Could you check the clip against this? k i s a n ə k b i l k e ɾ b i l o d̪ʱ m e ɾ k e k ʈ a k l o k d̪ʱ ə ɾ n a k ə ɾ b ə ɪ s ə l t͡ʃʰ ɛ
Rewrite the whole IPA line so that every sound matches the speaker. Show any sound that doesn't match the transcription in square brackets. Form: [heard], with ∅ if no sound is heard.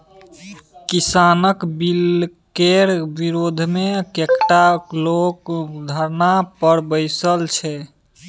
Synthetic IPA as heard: k i s a n ə k b i l k e ɾ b i [ɾ] o d̪ʱ m e [∅] k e k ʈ a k l o k d̪ʱ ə ɾ n a [p] ə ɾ b ə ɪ s ə l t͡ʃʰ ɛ